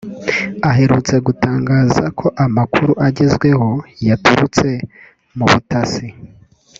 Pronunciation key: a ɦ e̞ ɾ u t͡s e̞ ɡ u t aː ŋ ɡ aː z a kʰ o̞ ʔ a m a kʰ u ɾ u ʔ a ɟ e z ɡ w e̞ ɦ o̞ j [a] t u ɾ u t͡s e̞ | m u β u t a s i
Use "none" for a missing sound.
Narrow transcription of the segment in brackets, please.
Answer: a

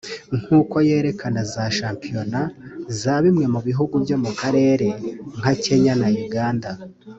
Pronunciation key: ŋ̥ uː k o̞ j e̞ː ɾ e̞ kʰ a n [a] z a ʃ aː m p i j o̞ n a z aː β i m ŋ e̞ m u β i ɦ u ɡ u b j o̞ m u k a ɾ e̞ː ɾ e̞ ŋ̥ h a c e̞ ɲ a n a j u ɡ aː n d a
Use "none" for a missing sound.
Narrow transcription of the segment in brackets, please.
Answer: a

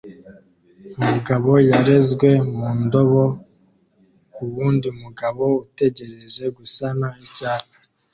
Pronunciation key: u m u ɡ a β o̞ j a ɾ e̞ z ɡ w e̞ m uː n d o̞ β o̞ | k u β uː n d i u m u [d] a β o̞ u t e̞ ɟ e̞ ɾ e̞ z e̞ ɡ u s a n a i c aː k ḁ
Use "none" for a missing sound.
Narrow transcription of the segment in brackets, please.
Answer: ɡ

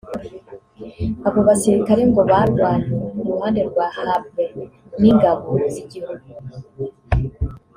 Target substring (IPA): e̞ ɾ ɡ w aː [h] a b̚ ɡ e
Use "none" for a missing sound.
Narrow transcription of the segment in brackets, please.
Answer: h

